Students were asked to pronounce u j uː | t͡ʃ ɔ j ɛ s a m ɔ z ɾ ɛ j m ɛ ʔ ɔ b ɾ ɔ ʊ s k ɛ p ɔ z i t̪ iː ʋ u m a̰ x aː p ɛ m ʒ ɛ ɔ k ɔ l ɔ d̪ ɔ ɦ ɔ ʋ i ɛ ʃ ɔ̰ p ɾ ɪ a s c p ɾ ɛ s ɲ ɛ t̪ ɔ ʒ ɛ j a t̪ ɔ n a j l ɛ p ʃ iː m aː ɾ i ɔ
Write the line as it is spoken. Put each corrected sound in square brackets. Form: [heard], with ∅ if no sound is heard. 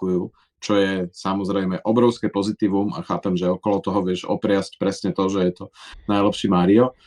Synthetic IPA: u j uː | t͡ʃ ɔ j ɛ s a m ɔ z ɾ ɛ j m ɛ ʔ ɔ b ɾ ɔ ʊ s k ɛ p ɔ z i t̪ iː ʋ u m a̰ x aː p ɛ m ʒ ɛ ɔ k ɔ l ɔ [t̪] ɔ ɦ ɔ ʋ [ɪ] ɛ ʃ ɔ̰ p ɾ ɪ a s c p ɾ ɛ s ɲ ɛ t̪ ɔ ʒ ɛ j [ɛ] t̪ ɔ n a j l ɛ p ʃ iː m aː ɾ i ɔ